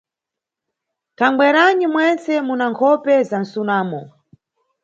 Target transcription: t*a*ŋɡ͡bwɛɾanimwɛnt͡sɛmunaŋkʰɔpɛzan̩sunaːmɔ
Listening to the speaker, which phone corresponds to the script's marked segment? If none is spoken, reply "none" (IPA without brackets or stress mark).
a